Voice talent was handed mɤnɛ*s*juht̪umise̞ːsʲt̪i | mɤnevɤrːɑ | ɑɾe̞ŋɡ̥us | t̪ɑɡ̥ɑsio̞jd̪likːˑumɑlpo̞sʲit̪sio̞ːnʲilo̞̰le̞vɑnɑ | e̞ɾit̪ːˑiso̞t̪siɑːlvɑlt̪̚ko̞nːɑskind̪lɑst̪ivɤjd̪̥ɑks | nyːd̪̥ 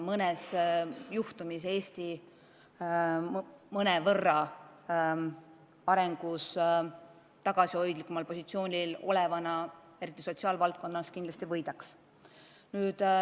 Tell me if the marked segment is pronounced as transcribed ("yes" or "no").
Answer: yes